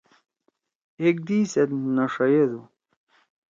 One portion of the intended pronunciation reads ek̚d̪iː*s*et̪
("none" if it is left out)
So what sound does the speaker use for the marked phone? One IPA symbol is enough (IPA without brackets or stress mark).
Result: s